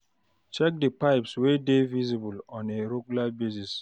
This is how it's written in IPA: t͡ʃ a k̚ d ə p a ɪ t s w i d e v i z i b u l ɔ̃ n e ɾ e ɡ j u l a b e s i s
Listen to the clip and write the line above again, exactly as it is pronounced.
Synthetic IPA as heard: t͡ʃ ɛ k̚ d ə p a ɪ p s w e d e v i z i b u l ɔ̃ n e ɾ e ɡ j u l a b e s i s